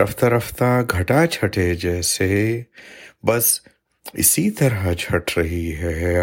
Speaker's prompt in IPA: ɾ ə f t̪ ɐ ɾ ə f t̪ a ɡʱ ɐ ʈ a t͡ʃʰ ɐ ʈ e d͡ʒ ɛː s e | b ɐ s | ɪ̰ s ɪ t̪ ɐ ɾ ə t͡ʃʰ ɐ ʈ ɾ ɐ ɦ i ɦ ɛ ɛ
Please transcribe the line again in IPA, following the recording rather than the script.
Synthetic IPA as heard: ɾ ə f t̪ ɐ ɾ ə f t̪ a ɡʱ ɐ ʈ a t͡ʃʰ ɐ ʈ e d͡ʒ ɛː s e | b ɐ s | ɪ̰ s i t̪ ɐ ɾ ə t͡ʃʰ ɐ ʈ ɾ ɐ ɦ i ɦ ɛ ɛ